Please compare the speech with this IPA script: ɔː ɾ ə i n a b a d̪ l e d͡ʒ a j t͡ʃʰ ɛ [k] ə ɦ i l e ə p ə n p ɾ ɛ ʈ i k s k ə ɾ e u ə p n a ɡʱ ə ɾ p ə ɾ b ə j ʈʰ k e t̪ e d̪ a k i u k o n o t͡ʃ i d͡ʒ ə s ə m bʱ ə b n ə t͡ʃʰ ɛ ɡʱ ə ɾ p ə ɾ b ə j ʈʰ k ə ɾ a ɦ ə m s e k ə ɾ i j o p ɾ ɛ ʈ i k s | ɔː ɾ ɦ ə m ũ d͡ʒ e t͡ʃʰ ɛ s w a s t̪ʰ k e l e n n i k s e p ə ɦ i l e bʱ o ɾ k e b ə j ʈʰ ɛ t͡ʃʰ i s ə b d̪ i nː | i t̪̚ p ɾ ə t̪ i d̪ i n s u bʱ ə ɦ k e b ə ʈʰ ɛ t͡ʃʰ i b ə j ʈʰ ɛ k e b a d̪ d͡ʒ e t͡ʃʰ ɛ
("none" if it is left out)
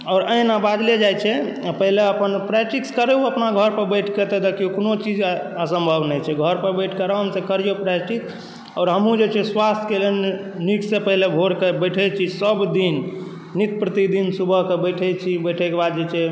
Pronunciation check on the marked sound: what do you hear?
p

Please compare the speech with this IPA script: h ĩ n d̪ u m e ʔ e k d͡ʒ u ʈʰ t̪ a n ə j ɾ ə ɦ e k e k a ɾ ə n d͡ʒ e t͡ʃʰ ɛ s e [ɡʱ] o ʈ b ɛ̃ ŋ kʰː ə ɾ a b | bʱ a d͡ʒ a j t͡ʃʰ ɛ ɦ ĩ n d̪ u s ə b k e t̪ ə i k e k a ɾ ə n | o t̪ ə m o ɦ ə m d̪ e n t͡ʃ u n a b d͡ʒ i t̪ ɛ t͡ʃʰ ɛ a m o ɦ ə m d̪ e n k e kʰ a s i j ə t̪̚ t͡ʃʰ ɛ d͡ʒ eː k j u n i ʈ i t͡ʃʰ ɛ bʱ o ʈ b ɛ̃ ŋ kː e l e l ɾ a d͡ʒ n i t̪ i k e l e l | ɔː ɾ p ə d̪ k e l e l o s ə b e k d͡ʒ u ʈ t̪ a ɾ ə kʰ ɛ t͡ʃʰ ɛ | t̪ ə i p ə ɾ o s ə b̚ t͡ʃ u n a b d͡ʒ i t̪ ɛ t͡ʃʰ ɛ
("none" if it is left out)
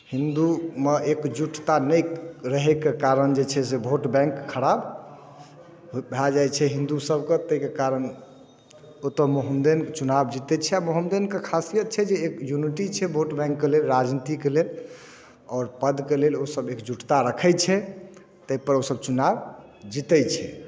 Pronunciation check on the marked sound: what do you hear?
bʱ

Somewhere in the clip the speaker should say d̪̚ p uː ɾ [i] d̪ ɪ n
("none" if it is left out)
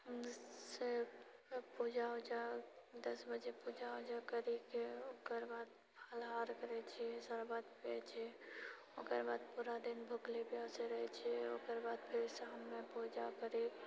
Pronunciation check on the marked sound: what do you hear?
a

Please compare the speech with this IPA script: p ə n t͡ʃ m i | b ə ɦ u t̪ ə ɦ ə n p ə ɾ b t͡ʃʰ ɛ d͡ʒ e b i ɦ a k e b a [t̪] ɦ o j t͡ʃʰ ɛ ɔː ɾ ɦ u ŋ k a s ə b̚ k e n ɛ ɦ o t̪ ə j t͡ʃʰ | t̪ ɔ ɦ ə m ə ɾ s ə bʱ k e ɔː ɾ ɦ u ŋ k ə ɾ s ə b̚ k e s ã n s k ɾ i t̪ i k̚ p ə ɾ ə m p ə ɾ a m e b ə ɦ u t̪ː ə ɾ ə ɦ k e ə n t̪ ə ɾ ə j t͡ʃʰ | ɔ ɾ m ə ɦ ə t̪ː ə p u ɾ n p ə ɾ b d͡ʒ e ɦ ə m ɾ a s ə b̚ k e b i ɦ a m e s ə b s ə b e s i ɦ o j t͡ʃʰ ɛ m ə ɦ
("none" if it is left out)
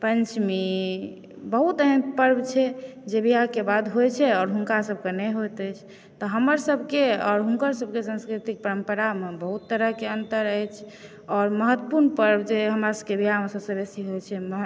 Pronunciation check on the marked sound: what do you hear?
d̪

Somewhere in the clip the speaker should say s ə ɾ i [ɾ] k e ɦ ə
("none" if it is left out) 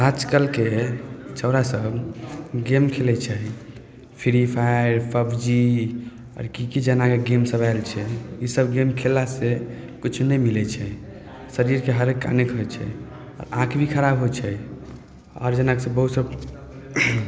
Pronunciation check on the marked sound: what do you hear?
ɾ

